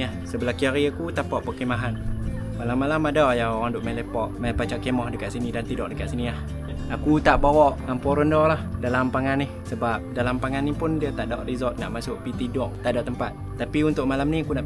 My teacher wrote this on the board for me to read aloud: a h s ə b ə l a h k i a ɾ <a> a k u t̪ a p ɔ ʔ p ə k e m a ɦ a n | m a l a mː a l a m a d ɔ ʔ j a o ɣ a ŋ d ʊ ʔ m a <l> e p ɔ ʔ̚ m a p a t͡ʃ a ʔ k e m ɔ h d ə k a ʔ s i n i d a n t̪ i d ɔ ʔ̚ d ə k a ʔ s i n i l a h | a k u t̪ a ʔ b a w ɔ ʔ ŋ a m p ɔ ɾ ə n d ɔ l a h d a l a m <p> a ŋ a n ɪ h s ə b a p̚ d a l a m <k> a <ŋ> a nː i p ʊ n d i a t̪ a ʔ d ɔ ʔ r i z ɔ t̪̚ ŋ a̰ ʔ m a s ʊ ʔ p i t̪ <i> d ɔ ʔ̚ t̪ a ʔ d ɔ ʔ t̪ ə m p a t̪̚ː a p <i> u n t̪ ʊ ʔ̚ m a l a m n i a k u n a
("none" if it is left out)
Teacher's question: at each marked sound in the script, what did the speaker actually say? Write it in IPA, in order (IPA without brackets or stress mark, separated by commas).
i, l, p, p, ŋ, i, i